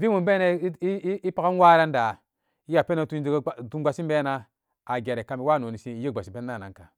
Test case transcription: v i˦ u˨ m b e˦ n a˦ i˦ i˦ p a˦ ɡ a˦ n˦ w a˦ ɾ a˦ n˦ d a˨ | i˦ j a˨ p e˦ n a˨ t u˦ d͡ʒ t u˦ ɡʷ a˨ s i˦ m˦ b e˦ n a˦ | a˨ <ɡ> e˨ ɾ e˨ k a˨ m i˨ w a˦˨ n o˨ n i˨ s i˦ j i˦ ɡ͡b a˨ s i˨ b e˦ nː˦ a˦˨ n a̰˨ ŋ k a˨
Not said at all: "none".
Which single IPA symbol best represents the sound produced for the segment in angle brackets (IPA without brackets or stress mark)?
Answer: ɡ